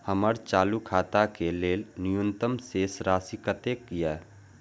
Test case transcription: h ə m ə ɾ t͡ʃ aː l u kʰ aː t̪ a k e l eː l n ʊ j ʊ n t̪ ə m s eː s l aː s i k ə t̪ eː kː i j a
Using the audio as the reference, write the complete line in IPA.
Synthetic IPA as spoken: h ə m ə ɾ t͡ʃ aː l u kʰ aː t̪ a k e l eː l n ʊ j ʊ n t̪ ə m s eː s ɾ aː s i k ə t̪ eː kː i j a